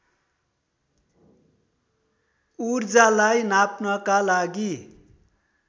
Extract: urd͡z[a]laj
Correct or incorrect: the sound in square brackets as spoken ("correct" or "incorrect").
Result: correct